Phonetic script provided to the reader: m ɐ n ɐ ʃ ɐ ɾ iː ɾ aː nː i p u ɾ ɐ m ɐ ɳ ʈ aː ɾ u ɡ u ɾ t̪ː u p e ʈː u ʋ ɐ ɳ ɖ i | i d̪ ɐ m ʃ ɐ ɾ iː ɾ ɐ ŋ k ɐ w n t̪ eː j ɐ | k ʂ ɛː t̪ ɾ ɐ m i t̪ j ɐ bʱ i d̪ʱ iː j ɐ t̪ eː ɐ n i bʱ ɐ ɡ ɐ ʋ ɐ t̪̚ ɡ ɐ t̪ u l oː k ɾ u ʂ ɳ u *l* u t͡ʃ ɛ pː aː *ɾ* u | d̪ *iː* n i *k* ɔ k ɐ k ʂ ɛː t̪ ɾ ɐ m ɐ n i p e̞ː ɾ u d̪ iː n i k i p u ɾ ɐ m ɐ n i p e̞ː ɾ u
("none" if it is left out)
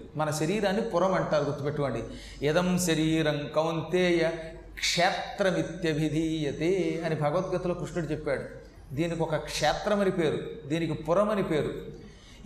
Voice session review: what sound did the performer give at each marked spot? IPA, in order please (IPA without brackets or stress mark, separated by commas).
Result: ɽ, ɽ, iː, k